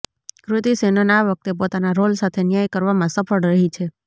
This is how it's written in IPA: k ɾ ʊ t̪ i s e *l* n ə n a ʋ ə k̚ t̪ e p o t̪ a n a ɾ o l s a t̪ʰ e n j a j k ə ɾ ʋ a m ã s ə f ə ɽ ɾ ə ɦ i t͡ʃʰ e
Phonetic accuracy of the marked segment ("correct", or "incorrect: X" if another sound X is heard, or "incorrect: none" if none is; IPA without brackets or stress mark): incorrect: none